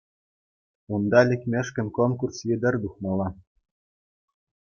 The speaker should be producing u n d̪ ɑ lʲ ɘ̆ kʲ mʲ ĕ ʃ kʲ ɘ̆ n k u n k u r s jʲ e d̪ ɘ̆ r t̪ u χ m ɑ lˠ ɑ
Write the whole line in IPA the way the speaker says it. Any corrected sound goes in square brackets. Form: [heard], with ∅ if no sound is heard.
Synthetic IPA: u n d̪ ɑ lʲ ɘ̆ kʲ mʲ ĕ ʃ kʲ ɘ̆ n k [o] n k u r s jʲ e d̪ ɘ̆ r [d̪] u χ m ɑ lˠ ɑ